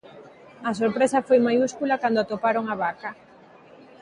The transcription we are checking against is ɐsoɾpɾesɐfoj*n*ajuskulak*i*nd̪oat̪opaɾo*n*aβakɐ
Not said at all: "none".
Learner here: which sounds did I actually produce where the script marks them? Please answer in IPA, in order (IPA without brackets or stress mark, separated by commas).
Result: m, a, ŋ